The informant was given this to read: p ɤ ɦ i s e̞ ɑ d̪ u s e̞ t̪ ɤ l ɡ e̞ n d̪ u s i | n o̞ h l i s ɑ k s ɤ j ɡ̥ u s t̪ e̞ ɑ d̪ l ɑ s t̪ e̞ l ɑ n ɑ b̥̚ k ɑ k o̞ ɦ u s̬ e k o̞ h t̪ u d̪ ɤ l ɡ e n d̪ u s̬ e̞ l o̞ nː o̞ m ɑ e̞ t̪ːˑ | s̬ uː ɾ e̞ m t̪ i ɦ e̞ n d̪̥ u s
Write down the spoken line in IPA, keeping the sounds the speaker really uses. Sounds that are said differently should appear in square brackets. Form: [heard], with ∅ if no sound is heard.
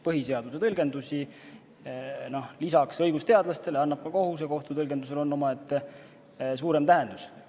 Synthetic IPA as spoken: p ɤ ɦ i s e̞ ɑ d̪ u s e̞ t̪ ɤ l ɡ e̞ n d̪ u s i | n o̞ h l i s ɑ k s ɤ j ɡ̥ u s t̪ e̞ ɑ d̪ l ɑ s t̪ e̞ l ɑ [nː] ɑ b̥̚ k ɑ k o̞ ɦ u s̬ e k o̞ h t̪ u [t̪] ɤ l ɡ e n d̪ u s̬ e̞ l o̞ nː o̞ m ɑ e̞ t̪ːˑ | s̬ uː ɾ e̞ m t̪ [æ] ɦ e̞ n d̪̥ u s